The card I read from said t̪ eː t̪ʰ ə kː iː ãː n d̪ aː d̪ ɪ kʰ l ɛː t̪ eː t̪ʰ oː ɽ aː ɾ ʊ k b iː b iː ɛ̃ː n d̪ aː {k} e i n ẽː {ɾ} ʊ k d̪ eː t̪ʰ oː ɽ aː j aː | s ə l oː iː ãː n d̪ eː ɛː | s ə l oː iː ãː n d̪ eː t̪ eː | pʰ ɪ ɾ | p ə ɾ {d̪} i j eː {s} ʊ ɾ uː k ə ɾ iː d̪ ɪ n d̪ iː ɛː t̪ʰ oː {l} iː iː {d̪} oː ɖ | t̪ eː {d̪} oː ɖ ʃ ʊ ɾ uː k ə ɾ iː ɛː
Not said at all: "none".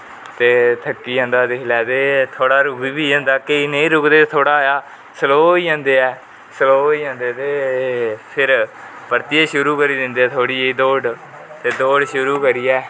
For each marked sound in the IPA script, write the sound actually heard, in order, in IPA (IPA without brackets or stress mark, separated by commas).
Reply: k, ɾ, t̪, ʃ, ɽ, d̪, d̪